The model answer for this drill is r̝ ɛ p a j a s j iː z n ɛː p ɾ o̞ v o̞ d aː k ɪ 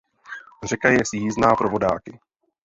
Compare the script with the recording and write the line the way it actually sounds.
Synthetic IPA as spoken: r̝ ɛ k a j ɛ s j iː z n aː p ɾ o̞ v o̞ d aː k ɪ